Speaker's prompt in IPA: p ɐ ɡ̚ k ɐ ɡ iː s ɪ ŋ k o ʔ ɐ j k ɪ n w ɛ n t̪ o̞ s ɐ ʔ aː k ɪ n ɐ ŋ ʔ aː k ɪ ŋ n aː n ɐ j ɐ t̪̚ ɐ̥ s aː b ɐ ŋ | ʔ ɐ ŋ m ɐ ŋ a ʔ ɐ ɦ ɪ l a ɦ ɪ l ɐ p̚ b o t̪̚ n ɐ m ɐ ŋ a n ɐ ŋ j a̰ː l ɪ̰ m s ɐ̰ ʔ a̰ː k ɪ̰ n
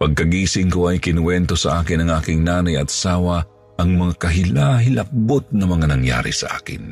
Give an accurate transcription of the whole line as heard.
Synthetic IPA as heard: p ɐ ɡ̚ k ɐ ɡ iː s ɪ ŋ k o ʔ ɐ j k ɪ n w ɛ n t̪ o̞ s ɐ ʔ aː k ɪ n ɐ ŋ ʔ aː k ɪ ŋ n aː n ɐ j ɐ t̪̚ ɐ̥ s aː w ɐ | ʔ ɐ ŋ m ɐ ŋ a k ɐ ɦ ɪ l a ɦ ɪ l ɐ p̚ b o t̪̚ n ɐ m ɐ ŋ a n ɐ ŋ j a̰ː ɾ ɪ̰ s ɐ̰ ʔ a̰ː k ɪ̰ n